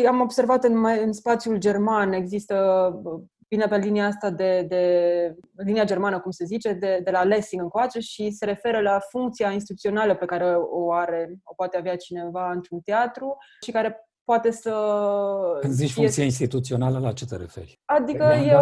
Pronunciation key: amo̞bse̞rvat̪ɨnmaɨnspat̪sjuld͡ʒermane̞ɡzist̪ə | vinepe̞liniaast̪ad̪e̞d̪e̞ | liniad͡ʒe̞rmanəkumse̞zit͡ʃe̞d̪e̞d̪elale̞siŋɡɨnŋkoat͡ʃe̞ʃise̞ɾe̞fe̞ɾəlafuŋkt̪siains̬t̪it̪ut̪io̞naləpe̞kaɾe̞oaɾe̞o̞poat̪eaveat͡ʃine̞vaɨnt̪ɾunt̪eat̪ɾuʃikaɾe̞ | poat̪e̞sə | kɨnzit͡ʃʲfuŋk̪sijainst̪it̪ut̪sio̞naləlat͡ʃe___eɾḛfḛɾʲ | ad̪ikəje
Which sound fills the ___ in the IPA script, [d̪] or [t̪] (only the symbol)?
t̪